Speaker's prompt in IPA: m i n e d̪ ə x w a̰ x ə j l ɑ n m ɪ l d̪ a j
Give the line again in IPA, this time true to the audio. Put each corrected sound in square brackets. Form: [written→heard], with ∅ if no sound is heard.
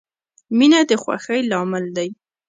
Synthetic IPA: m i n [e→a] d̪ ə x w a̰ x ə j l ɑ [n→∅] m ɪ l d̪ a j